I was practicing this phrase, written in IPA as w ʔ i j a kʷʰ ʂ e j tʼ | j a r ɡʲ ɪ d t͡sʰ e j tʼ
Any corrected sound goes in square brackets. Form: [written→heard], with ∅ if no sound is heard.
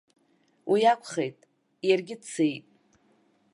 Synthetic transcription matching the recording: w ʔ i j a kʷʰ [ʂ→χ] e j tʼ | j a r ɡʲ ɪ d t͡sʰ e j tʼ